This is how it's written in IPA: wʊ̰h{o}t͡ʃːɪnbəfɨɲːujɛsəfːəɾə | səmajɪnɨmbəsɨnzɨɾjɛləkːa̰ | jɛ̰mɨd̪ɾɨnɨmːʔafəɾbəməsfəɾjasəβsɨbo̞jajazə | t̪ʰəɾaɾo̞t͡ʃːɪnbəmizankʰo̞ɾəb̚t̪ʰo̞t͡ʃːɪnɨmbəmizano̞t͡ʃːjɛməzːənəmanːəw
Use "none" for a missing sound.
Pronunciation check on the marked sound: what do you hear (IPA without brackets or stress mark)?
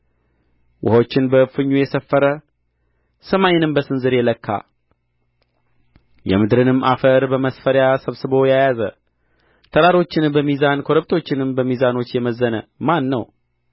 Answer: o